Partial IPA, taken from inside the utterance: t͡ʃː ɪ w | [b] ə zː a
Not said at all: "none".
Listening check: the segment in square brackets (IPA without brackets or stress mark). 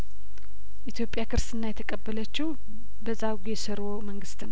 b